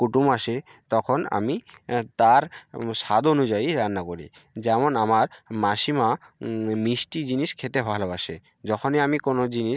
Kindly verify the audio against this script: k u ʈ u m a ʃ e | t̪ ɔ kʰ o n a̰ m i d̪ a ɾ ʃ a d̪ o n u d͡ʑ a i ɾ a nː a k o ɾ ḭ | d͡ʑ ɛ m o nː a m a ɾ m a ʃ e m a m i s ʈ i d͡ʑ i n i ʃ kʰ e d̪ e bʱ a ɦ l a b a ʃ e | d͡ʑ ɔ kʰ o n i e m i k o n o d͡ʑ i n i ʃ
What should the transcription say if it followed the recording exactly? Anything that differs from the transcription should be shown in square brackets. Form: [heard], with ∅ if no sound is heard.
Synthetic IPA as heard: k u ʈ u m a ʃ e | t̪ ɔ kʰ o n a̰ m i [t̪] a ɾ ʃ a d̪ o n u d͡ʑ a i ɾ a nː a k o ɾ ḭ | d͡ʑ ɛ m o [n] a m a ɾ m a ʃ [i] m a m i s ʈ i d͡ʑ i n i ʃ kʰ e [t̪] e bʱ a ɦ l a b a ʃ e | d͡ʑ ɔ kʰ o n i [a] m i k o n o d͡ʑ i n i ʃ

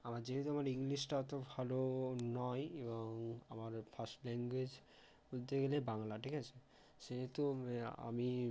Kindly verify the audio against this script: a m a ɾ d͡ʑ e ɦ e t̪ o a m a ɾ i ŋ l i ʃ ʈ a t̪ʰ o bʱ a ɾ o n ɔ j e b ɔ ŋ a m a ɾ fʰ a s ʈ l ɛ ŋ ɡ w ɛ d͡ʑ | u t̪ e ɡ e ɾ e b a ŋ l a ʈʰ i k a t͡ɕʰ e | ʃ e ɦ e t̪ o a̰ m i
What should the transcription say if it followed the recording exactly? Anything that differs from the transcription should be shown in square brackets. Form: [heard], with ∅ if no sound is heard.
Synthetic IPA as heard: a m a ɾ d͡ʑ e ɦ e t̪ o a m a ɾ i ŋ l i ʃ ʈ a [t̪] o bʱ a [l] o n ɔ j e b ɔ ŋ a m a ɾ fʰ a s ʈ l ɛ ŋ ɡ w [e] d͡ʑ | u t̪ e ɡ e [l] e b a ŋ l a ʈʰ i k a t͡ɕʰ e | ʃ e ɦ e t̪ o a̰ m i

